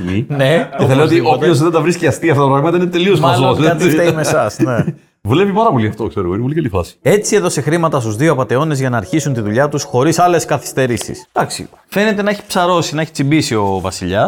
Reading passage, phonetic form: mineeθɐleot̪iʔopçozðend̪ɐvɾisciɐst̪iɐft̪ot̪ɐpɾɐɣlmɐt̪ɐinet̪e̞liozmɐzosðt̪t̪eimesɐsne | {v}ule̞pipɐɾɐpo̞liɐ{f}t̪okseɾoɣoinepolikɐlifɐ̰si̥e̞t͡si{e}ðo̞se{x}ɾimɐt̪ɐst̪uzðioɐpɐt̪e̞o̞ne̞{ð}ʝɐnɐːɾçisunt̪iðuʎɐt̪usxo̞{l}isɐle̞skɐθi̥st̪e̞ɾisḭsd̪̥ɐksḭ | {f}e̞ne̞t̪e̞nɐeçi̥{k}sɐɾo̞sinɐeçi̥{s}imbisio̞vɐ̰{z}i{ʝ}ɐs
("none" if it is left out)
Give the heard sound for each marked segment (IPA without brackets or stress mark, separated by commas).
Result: v, f, e, x, z, ɾ, f, p, t͡s, s, ʎ